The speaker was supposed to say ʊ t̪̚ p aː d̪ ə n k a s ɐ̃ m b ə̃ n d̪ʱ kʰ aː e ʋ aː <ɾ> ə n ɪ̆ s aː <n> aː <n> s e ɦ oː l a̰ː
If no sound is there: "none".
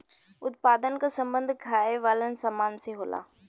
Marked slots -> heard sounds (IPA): l, m, n

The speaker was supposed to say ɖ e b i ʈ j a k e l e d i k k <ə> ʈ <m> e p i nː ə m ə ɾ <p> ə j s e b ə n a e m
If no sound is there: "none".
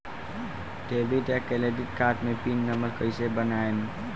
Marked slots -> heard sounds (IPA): a, m, k

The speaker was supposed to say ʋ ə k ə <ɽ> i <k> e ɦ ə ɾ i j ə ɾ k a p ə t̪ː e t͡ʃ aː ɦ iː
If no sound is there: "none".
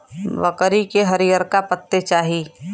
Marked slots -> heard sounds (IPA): ɾ, k

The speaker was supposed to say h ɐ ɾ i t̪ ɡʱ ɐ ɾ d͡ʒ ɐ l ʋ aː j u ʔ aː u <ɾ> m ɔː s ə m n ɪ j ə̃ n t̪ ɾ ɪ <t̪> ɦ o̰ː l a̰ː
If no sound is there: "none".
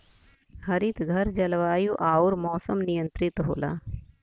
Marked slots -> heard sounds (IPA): ɾ, t̪

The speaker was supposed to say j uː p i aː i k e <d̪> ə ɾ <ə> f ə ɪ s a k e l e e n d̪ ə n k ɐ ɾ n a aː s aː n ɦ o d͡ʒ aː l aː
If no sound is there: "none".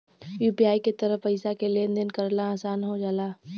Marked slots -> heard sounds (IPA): t̪, ə

